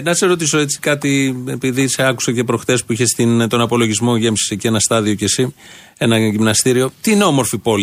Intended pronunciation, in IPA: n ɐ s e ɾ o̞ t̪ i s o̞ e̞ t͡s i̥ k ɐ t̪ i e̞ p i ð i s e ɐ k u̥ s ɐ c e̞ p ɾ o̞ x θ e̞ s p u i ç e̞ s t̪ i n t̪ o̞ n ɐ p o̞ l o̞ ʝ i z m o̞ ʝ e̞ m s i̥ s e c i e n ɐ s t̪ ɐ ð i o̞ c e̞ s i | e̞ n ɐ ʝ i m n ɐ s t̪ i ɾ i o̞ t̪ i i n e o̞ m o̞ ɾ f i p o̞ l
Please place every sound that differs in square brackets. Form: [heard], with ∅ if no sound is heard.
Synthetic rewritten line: n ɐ s e ɾ o̞ t̪ i s o̞ e̞ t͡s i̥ k ɐ t̪ i e̞ p i ð i s e ɐ k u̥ s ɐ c e̞ p ɾ o̞ x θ e̞ s p u i ç e̞ s t̪ i n t̪ o̞ n ɐ p o̞ l o̞ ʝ i z m o̞ ʝ e̞ m s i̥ s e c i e n ɐ s t̪ ɐ ð i o̞ c e̞ s i | e̞ n ɐ ʝ i m n ɐ s t̪ i ɾ i o̞ t̪ i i n e o̞ m o̞ ɾ f i p o̞ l